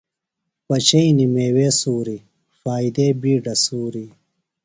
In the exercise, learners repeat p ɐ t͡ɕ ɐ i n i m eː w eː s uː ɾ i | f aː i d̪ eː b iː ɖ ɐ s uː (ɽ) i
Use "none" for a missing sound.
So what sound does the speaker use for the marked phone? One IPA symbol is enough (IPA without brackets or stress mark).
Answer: ɾ